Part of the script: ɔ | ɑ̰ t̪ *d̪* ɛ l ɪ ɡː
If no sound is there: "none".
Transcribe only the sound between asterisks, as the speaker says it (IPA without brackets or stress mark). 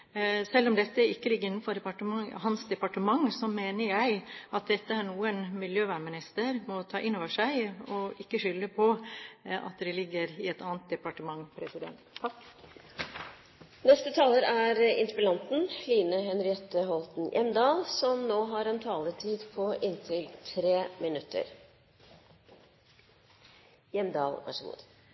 d̪